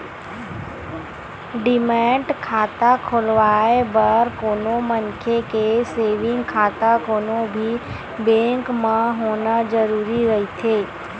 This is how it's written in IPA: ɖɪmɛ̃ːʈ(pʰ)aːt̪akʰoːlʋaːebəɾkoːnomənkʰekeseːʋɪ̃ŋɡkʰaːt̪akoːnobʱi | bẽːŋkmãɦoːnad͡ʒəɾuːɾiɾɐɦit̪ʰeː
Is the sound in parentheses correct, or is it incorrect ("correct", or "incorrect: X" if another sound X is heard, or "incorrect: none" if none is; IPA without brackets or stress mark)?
incorrect: kʰ